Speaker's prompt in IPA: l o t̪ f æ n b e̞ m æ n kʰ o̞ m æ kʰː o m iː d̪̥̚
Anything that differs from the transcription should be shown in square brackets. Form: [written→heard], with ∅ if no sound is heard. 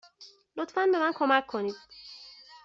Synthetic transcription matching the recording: l o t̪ f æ n b e̞ m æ n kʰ o̞ m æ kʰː o [m→n] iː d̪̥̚

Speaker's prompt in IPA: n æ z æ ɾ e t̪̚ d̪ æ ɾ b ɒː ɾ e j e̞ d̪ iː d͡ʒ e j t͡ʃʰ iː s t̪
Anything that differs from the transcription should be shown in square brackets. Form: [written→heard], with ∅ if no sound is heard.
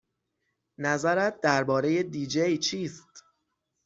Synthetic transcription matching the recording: n æ z æ ɾ [e→æ] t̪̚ d̪ æ ɾ b ɒː ɾ e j e̞ d̪ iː d͡ʒ e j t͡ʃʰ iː s t̪

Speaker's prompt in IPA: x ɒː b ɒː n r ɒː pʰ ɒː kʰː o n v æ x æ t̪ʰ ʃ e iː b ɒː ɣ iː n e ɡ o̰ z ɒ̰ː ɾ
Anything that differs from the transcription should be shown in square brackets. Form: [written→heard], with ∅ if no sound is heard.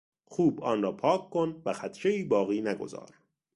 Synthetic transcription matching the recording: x [ɒː→uː] b ɒː n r ɒː pʰ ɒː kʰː o n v æ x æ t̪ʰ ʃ e iː b ɒː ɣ iː n [e→æ] ɡ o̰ z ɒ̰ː ɾ

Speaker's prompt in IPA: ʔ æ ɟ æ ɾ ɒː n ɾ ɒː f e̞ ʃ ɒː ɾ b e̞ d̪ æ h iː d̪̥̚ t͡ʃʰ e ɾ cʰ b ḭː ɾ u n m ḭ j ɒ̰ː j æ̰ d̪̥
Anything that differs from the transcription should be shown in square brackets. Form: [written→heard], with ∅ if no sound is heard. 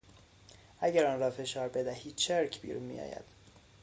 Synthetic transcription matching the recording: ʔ æ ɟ æ ɾ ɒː n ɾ ɒː f e̞ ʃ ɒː ɾ b e̞ d̪ æ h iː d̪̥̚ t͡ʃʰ e ɾ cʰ b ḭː ɾ u n m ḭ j ɒ̰ː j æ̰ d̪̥

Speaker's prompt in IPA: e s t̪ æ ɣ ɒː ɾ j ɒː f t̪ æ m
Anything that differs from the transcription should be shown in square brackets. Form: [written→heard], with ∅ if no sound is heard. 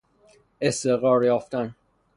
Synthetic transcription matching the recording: e s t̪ [æ→e] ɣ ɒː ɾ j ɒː f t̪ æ [m→n]

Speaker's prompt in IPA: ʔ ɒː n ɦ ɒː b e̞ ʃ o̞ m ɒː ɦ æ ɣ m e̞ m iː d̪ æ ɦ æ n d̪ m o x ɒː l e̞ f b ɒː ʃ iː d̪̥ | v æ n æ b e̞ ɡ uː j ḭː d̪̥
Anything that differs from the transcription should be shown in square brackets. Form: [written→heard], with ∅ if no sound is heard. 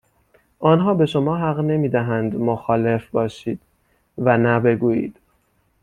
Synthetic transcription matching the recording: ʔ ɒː n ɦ ɒː b e̞ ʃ o̞ m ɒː ɦ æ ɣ [m→n] e̞ m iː d̪ æ ɦ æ n d̪ m o x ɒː l e̞ f b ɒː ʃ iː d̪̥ | v æ n æ b e̞ ɡ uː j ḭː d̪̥

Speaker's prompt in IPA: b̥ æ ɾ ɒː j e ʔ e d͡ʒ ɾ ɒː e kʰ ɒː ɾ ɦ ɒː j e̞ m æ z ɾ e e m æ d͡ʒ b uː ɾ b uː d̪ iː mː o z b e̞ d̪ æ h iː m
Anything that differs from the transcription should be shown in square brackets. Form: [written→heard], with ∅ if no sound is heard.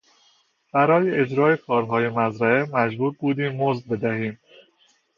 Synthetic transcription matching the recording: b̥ æ ɾ ɒː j e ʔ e d͡ʒ ɾ ɒː e kʰ ɒː ɾ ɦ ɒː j e̞ m æ z ɾ [e→æ] e m æ d͡ʒ b uː ɾ b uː d̪ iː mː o z b e̞ d̪ æ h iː m

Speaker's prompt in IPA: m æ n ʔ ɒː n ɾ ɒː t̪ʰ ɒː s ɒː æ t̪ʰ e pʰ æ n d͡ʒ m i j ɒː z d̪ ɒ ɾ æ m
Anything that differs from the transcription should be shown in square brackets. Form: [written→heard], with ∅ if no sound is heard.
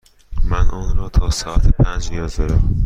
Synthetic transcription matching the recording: m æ n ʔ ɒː n ɾ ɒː t̪ʰ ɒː s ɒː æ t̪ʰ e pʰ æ n d͡ʒ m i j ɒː z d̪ ɒ ɾ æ m

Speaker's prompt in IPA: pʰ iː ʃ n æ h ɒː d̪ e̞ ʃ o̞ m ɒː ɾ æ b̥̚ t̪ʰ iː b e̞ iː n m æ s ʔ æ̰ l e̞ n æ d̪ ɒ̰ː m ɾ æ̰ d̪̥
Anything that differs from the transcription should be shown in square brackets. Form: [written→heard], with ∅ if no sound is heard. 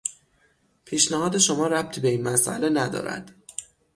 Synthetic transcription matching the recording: pʰ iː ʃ n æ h ɒː d̪ e̞ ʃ o̞ m ɒː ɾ æ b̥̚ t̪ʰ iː b e̞ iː n m æ s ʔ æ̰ l e̞ n æ d̪ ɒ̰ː [m→∅] ɾ æ̰ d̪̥

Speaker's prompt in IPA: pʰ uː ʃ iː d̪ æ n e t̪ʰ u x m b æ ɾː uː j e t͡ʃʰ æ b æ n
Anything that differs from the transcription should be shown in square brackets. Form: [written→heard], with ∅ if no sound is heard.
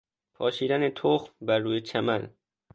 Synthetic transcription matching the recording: pʰ [uː→ɒː] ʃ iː d̪ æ n e t̪ʰ [u→o] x m b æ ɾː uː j e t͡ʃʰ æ [b→m] æ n

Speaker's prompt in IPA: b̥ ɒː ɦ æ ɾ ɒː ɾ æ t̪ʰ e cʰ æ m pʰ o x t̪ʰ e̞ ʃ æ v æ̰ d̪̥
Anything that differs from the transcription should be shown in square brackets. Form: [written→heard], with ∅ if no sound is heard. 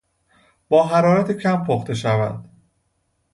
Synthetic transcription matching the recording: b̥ ɒː ɦ æ ɾ ɒː ɾ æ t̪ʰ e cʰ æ m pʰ o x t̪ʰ e̞ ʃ æ v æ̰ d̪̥

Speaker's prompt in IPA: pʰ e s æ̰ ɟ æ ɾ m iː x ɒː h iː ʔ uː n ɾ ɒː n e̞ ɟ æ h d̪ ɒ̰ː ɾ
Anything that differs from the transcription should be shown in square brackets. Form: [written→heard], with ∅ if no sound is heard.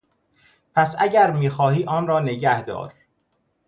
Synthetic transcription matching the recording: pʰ [e→æ] s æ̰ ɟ æ ɾ m iː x ɒː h iː ʔ [uː→ɒː] n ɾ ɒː n e̞ ɟ æ h d̪ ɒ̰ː ɾ

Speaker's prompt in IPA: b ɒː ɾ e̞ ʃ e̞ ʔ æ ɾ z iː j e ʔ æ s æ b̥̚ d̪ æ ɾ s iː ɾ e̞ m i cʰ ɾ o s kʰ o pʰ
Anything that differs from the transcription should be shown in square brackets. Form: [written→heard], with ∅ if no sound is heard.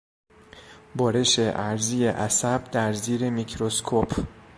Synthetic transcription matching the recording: b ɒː ɾ e̞ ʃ e̞ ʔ æ ɾ z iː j e ʔ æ s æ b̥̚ d̪ æ ɾ [s→z] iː ɾ e̞ m i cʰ ɾ o s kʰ o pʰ

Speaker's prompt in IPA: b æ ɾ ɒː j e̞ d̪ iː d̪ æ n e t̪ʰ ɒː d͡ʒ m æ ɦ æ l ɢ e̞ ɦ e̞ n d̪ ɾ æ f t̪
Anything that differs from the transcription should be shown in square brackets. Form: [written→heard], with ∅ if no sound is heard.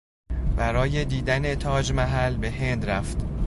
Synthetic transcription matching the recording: b æ ɾ ɒː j e̞ d̪ iː d̪ æ n e t̪ʰ ɒː d͡ʒ m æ ɦ æ l [ɢ→b] e̞ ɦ e̞ n d̪ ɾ æ f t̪

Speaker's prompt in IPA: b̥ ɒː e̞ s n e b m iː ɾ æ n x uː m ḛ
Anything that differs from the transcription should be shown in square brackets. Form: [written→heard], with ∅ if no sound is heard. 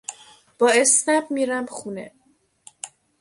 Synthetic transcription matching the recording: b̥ ɒː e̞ s n [e→æ] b m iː ɾ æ [n→m] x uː [m→n] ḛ

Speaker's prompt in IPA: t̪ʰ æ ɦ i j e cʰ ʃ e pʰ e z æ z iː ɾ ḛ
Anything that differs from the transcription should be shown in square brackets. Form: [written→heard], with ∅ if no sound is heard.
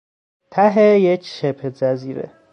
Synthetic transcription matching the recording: t̪ʰ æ ɦ [i→e] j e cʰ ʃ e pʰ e z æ z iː ɾ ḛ

